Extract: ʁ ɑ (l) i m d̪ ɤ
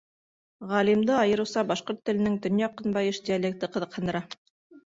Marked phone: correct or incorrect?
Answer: correct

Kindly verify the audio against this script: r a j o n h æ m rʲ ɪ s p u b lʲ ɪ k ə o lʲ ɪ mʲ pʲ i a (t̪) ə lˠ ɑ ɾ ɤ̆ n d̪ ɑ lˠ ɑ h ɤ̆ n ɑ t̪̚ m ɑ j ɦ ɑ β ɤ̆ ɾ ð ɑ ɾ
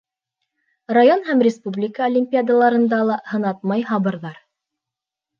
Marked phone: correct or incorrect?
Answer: incorrect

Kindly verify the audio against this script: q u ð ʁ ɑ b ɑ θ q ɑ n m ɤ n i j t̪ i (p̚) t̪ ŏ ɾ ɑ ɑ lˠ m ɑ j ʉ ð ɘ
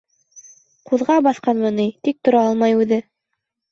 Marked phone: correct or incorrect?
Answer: incorrect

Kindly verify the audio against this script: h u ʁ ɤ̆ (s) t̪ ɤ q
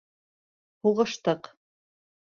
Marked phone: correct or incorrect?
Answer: incorrect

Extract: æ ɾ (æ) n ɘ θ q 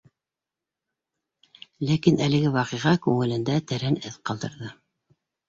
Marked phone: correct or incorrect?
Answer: correct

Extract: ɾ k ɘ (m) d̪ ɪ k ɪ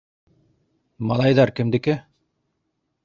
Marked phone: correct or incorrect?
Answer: correct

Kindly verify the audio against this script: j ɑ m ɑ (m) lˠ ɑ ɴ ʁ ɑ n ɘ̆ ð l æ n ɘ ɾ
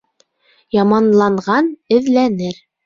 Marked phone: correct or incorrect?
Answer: incorrect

